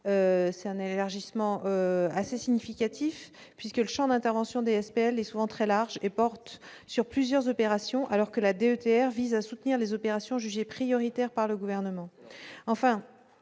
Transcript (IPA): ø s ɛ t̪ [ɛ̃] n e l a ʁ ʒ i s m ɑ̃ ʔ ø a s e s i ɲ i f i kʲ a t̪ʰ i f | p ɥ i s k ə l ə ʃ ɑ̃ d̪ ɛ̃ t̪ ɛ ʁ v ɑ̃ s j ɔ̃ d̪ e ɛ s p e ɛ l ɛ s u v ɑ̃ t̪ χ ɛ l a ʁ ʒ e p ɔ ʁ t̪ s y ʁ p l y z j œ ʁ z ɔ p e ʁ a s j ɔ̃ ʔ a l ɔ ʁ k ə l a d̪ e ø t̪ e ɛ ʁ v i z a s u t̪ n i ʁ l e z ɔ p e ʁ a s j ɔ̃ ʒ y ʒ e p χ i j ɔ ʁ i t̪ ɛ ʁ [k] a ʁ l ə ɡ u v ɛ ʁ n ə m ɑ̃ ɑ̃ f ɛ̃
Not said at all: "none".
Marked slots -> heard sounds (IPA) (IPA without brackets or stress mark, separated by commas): ɛ̃, p